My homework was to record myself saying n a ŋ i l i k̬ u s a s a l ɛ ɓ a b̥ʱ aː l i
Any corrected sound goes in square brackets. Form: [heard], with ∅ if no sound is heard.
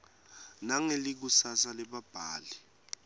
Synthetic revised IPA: n a ŋ [e] l i k̬ u s a s a l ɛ ɓ a b̥ʱ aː l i

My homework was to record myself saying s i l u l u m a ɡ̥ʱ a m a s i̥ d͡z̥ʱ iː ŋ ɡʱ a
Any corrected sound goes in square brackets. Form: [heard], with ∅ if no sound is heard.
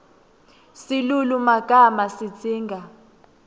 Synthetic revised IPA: s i l u l u m a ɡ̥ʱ a m a s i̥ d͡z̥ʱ iː ŋ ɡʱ a

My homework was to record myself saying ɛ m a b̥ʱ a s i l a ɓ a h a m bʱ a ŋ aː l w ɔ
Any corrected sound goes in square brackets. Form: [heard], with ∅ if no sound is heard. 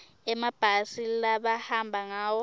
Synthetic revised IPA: ɛ m a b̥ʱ a s i l a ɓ a h a m bʱ a ŋ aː [∅] w ɔ

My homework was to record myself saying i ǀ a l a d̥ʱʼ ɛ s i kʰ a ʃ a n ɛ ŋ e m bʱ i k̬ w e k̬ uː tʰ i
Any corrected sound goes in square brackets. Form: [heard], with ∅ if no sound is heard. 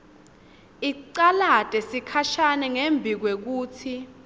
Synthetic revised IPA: i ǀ a l a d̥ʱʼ ɛ s i kʰ a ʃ a n ɛ ŋ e m bʱ i k̬ w e k̬ uː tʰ i

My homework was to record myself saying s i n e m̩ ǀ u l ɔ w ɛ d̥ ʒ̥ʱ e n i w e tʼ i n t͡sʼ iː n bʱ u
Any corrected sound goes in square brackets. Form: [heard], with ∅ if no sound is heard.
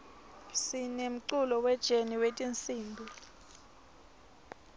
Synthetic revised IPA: s i n e m̩ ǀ u l ɔ w ɛ d̥ ʒ̥ʱ e n i w e tʼ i n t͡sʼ iː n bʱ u

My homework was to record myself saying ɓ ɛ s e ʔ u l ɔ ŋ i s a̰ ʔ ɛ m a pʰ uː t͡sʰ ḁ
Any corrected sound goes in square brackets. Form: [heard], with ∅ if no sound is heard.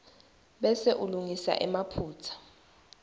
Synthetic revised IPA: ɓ ɛ s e ʔ u l [u] ŋ i s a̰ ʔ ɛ m a pʰ uː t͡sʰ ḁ

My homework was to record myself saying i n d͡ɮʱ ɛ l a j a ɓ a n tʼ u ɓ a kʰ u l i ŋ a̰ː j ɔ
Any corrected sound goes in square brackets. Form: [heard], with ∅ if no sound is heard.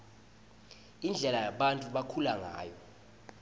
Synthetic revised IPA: i n d͡ɮʱ ɛ l a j a ɓ a n tʼ u ɓ a kʰ u l [a] ŋ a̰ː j ɔ

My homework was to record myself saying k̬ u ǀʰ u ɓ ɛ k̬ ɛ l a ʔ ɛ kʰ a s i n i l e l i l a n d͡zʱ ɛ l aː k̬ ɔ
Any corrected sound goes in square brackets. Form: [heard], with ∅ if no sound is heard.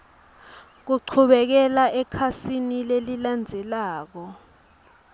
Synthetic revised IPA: k̬ u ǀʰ u ɓ ɛ k̬ ɛ l a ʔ ɛ kʰ a s i n i l e l i l a n d͡zʱ ɛ l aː k̬ ɔ

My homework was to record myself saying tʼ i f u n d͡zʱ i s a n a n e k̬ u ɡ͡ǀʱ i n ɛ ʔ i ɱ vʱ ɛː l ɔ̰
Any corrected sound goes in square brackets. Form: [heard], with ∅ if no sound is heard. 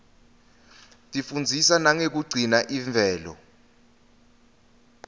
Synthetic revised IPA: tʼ i f u n d͡zʱ i s a n a [ŋ] e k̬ u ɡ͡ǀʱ i n [a] ʔ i ɱ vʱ ɛː l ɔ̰

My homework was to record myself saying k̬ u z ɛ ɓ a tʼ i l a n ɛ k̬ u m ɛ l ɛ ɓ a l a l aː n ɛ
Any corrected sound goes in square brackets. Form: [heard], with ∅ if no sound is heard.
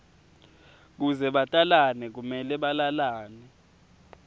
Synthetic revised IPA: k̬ u z ɛ ɓ a tʼ [a] l a n ɛ k̬ u m ɛ l ɛ ɓ a l a l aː n ɛ

